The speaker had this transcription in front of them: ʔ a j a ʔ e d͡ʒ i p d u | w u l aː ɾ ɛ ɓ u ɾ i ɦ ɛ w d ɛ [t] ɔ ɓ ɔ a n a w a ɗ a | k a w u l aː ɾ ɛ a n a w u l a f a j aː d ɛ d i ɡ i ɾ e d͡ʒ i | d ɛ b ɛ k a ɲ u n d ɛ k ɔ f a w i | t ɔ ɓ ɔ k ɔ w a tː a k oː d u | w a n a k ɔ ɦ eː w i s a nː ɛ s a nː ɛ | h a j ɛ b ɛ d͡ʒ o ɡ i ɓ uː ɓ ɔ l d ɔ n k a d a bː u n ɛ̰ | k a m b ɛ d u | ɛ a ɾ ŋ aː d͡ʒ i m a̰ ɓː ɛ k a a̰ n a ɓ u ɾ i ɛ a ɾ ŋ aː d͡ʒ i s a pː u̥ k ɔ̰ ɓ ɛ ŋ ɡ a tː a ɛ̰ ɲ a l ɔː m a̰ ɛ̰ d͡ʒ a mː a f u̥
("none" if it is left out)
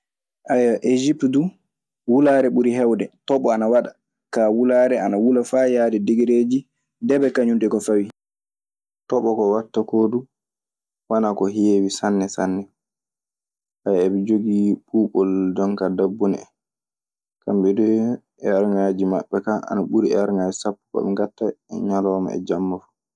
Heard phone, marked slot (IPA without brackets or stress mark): t